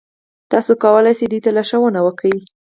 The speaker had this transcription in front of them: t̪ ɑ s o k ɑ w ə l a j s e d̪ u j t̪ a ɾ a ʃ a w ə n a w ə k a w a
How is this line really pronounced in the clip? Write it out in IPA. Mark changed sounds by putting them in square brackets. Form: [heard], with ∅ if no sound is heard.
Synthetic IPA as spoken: t̪ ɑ s o k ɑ w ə l a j s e d̪ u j t̪ a [l] a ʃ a w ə n a w ə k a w [i]